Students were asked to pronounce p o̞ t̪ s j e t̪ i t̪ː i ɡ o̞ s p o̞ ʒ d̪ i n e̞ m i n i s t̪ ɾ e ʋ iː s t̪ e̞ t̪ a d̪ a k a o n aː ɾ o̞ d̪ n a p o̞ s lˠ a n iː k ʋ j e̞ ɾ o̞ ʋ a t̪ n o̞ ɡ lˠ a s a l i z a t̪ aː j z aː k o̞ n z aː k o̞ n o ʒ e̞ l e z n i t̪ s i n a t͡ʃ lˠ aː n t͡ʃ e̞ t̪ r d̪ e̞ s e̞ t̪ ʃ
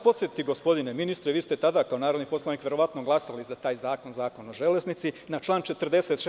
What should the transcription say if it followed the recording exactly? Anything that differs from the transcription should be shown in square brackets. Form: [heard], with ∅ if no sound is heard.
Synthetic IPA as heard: p o̞ t̪ s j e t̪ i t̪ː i ɡ o̞ s p o̞ [∅] d̪ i n e̞ m i n i s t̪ ɾ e ʋ iː s t̪ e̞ t̪ a d̪ a k a o n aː ɾ o̞ d̪ n [i] p o̞ s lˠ a n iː k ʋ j e̞ ɾ o̞ ʋ a t̪ n o̞ ɡ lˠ a s a l i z a t̪ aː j z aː k o̞ n z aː k o̞ n o ʒ e̞ l e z n i t̪ s i n a t͡ʃ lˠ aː n t͡ʃ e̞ t̪ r d̪ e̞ s e̞ t̪ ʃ